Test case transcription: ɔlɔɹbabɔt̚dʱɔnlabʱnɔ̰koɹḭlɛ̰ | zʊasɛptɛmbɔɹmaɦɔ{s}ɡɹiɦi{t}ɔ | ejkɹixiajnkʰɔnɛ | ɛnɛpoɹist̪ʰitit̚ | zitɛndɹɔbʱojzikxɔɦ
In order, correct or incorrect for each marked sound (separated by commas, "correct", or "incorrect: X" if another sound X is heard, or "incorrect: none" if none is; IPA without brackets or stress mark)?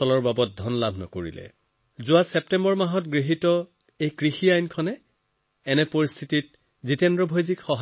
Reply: incorrect: t, correct